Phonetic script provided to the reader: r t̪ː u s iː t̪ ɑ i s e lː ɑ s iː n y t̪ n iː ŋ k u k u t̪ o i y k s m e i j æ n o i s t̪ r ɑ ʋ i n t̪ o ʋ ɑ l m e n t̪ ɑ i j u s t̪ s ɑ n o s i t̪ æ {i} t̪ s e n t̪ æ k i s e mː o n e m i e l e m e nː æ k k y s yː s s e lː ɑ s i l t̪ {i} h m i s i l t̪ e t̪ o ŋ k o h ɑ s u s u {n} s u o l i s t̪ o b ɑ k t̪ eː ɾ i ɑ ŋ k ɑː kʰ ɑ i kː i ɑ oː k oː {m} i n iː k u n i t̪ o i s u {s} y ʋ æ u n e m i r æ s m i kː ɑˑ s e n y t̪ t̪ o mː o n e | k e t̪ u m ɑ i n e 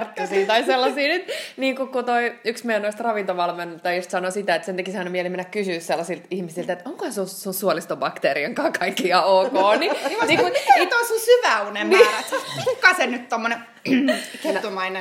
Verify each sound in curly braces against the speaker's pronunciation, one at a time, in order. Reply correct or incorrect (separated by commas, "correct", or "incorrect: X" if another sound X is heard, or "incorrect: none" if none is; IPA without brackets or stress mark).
incorrect: e, correct, correct, incorrect: n, correct